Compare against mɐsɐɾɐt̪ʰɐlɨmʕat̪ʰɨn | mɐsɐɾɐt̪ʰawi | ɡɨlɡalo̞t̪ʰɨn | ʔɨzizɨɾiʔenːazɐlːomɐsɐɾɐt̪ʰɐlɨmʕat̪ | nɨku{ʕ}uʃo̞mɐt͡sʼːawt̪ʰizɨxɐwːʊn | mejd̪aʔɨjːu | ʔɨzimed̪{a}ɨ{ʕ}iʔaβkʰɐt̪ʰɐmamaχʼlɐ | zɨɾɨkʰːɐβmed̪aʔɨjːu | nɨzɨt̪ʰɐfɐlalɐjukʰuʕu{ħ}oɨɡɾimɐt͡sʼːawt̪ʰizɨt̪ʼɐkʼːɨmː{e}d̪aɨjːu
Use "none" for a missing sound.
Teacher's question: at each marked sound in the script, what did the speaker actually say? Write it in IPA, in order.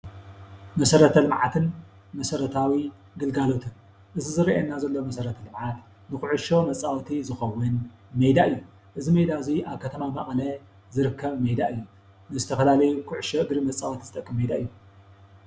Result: ʕ, a, z, ʃ, e

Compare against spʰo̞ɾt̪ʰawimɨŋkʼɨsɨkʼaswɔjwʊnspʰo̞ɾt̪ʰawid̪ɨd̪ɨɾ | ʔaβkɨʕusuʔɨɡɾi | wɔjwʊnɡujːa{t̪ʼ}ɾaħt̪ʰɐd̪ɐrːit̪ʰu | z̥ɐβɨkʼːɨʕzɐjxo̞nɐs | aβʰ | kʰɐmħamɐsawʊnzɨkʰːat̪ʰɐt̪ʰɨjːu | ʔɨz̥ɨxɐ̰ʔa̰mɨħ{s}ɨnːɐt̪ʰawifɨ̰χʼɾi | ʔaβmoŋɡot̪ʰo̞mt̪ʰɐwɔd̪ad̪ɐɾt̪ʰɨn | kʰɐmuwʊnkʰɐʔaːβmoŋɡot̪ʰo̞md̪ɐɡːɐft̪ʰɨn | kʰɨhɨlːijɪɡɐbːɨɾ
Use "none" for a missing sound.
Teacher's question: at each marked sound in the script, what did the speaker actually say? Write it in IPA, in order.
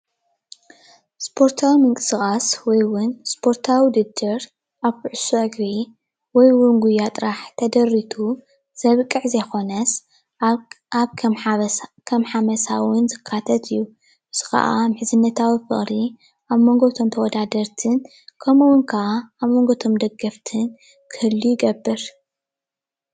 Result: t̪ʼ, z

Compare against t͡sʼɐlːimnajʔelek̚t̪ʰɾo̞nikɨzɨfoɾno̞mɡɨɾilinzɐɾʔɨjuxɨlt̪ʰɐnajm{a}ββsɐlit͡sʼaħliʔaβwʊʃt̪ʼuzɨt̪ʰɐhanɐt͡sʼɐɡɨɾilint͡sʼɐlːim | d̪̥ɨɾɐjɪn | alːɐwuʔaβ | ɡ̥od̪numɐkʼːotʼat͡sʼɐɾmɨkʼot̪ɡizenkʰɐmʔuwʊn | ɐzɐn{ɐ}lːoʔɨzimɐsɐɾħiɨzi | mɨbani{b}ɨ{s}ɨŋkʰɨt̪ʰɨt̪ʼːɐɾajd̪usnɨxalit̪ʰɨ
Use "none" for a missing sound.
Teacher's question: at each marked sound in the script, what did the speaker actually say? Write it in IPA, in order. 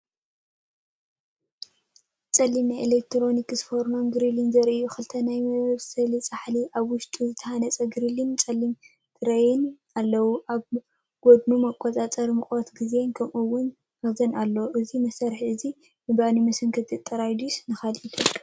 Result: ɐ, a, m, s

